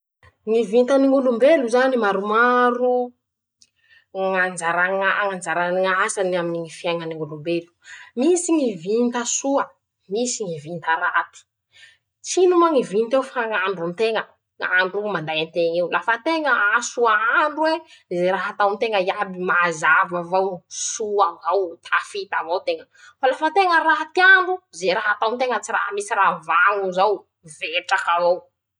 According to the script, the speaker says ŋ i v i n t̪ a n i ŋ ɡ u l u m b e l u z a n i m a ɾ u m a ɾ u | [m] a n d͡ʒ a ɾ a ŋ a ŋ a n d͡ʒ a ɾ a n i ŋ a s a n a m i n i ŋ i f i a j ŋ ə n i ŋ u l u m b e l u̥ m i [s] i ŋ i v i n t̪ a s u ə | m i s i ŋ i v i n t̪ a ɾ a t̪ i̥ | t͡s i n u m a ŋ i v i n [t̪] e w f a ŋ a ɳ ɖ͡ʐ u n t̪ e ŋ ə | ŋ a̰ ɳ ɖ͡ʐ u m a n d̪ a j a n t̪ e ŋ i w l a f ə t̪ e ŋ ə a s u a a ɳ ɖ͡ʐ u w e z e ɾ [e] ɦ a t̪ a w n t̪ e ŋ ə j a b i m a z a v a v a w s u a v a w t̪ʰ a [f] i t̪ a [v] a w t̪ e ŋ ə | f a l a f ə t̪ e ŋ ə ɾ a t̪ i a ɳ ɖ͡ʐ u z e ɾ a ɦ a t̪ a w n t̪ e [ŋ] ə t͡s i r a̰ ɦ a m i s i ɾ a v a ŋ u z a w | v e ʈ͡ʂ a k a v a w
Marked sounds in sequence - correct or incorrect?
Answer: incorrect: ŋ, correct, correct, incorrect: a, correct, correct, correct

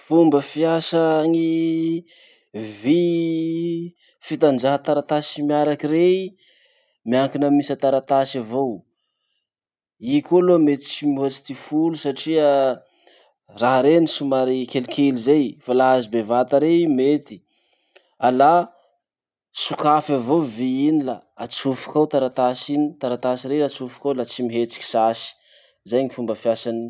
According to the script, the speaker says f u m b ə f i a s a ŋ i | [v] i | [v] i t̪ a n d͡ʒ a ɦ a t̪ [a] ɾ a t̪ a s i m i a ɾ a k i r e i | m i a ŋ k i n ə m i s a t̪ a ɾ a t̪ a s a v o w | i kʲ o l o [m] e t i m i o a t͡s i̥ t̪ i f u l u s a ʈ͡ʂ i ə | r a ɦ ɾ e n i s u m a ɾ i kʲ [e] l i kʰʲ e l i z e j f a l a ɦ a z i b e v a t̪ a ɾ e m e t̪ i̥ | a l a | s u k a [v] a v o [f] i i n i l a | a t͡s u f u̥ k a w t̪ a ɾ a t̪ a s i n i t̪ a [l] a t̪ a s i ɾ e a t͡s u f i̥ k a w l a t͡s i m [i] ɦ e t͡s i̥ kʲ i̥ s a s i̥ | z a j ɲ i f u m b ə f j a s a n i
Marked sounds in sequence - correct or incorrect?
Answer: correct, incorrect: f, correct, correct, correct, incorrect: f, incorrect: v, incorrect: ɾ, correct

